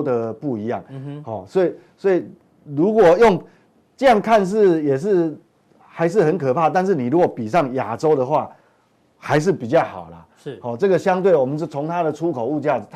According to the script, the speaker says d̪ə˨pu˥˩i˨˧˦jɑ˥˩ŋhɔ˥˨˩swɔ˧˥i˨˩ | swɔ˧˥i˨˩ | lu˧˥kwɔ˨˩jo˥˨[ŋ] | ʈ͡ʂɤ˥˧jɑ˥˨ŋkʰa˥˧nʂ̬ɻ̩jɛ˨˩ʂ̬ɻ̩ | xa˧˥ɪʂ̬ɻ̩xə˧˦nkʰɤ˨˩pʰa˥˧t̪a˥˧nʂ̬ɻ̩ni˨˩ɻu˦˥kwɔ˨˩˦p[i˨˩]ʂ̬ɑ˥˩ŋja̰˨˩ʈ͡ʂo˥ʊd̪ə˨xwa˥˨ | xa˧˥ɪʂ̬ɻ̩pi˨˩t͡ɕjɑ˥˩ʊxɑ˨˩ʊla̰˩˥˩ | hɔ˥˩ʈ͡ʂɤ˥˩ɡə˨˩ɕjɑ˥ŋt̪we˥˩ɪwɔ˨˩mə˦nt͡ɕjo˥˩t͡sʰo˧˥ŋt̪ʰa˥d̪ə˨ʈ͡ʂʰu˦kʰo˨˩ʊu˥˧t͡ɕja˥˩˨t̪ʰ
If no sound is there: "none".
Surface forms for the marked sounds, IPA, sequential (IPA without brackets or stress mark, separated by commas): ŋ, i˨˩